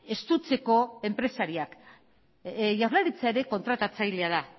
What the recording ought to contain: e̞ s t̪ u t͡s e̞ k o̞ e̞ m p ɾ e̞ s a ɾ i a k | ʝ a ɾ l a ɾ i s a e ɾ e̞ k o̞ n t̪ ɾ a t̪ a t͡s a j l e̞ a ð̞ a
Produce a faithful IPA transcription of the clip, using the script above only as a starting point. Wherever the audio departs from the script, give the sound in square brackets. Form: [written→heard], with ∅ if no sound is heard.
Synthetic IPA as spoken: e̞ s t̪ u t͡s e̞ k o̞ e̞ m p ɾ e̞ s a ɾ i a k | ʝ a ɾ l a ɾ i [s→t͡s] a e ɾ e̞ k o̞ n t̪ ɾ a t̪ a t͡s a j l e̞ a ð̞ a